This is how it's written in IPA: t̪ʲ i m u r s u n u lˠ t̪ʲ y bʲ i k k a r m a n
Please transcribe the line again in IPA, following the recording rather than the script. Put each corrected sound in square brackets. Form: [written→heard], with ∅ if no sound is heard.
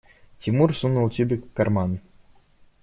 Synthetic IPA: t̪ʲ i m u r s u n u lˠ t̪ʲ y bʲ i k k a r m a n

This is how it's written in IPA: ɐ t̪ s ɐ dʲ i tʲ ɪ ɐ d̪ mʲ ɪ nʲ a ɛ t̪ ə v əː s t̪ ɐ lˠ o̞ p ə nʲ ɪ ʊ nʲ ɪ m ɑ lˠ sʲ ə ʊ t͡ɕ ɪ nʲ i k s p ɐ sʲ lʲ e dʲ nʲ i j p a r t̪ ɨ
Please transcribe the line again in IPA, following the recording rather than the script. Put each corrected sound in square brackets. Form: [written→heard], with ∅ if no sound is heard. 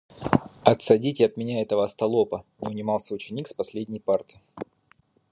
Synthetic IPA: ɐ t̪ s ɐ dʲ i tʲ ɪ ɐ [d̪→t̪] mʲ ɪ nʲ a ɛ t̪ ə v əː s t̪ ɐ lˠ o̞ p ə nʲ ɪ ʊ nʲ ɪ m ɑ lˠ sʲ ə ʊ t͡ɕ ɪ nʲ i k s p ɐ sʲ lʲ e dʲ nʲ [i→ɪ] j p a r t̪ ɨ

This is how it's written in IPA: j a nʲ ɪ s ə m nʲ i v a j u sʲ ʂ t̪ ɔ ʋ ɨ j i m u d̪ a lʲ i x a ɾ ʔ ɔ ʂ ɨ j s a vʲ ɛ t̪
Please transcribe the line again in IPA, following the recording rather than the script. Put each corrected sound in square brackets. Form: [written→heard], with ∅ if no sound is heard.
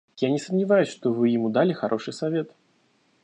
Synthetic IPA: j a nʲ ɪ s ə m nʲ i v a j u sʲ ʂ t̪ ɔ [ʋ→v] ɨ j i m u d̪ a lʲ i x a ɾ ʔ ɔ ʂ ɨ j s a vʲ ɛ t̪

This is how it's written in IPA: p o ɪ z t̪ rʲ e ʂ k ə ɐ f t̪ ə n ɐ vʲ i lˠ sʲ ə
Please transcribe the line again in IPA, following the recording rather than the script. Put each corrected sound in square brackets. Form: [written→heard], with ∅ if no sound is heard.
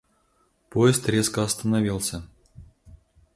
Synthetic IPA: p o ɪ [z→s] t̪ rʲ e [ʂ→s] k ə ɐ [f→s] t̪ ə n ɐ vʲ i lˠ sʲ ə

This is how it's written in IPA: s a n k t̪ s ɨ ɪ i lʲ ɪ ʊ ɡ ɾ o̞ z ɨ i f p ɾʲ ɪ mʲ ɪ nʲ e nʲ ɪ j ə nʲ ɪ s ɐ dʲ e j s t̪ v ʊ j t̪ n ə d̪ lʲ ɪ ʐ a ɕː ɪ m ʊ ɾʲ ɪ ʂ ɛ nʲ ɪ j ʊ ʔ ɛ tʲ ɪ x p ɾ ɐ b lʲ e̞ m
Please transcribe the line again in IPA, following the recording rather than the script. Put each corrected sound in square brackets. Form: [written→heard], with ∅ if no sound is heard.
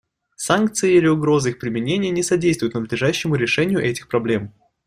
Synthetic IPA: s a n k t̪ s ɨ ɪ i lʲ ɪ ʊ ɡ ɾ o̞ z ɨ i [f→x] p ɾʲ ɪ mʲ ɪ nʲ e nʲ ɪ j ə nʲ ɪ s ɐ dʲ e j s t̪ v ʊ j t̪ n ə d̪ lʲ ɪ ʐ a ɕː ɪ m ʊ ɾʲ ɪ ʂ ɛ nʲ ɪ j ʊ ʔ ɛ tʲ ɪ x p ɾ ɐ b lʲ e̞ m

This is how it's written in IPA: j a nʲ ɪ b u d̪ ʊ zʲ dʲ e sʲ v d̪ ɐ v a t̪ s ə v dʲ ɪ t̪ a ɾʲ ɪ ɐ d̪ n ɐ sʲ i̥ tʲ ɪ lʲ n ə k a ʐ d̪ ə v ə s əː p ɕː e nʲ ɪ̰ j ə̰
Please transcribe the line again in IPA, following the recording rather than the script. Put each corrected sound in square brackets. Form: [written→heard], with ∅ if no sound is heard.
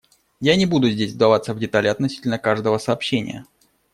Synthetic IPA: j a nʲ ɪ b u d̪ ʊ zʲ dʲ e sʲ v d̪ ɐ v a t̪ s ə v dʲ ɪ t̪ a [ɾʲ→lʲ] ɪ ɐ [d̪→t̪] n ɐ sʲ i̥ tʲ ɪ lʲ n ə k a ʐ d̪ ə v ə s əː p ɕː e nʲ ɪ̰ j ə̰

